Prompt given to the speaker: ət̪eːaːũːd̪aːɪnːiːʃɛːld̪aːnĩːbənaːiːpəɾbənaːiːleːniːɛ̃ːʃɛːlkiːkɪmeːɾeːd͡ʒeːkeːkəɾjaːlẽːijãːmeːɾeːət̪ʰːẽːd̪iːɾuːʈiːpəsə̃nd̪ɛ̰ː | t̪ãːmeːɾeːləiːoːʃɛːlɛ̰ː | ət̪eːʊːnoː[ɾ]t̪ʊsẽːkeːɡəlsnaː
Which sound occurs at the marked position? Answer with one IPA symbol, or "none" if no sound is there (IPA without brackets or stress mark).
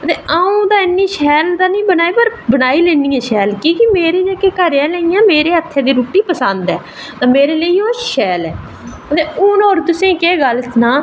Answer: ɾ